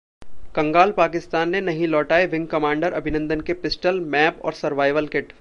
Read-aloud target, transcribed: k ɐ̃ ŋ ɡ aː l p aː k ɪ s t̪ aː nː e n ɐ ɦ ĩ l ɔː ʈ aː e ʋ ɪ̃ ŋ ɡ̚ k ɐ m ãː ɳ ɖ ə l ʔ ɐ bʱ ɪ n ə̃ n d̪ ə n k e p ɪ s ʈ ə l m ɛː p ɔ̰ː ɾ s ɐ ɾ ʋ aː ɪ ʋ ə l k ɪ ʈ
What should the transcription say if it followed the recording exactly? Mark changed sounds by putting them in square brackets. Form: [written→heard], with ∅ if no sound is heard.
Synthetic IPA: k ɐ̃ ŋ ɡ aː l p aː k ɪ s t̪ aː nː e n ɐ ɦ ĩ l ɔː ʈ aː e ʋ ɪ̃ ŋ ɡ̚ k ɐ m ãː ɳ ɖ ə [l→ɾ] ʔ ɐ bʱ ɪ n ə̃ n d̪ ə n k e p ɪ s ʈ ə l m ɛː p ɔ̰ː ɾ s ɐ ɾ ʋ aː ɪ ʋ ə l k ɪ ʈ